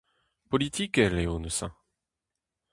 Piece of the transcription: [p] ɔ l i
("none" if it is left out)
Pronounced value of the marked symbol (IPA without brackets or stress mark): p